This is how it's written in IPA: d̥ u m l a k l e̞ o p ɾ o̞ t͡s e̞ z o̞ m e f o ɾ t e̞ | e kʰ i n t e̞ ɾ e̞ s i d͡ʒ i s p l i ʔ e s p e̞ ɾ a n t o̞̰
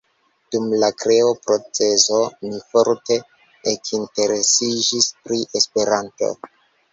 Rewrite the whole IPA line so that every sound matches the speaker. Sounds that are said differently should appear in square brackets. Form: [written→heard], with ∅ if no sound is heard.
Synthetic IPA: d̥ u m l a k [l→ɾ] e̞ o p ɾ o̞ t͡s e̞ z o̞ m [e→i] f o ɾ t e̞ | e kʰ i n t e̞ ɾ e̞ s i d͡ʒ i s p [l→ɾ] i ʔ e s p e̞ ɾ a n t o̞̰